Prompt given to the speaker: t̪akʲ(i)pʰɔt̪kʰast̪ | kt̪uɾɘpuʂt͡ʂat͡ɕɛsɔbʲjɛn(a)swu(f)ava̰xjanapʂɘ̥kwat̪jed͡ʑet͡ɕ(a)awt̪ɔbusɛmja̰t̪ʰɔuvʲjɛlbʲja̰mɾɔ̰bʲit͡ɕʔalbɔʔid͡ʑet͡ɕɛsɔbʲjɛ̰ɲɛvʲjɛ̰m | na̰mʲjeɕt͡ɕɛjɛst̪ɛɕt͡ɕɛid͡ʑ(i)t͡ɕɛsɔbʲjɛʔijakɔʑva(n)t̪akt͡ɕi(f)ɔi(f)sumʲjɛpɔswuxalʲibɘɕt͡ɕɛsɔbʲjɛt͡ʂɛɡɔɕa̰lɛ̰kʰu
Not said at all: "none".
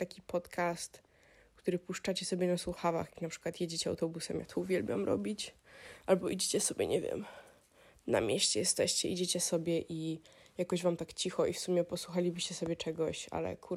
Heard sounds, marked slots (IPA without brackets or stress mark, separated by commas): i, a, x, ɛ, e, m, x, f